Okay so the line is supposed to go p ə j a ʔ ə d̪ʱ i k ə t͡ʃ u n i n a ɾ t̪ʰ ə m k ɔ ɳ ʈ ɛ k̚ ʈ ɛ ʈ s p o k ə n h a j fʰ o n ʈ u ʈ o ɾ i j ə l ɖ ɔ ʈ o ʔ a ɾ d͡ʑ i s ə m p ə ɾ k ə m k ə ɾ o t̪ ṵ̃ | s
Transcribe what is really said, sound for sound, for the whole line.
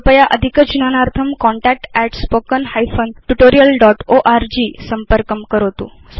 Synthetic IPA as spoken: p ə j a ʔ ə d̪ʱ i k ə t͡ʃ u n a n a ɾ t̪ʰ ə m k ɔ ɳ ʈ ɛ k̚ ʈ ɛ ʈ s p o k ə n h a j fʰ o n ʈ u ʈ o ɾ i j ə l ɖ ɔ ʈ o ʔ a ɾ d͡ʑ i s ə m p ə ɾ k ə m k ə ɾ o t̪ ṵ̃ | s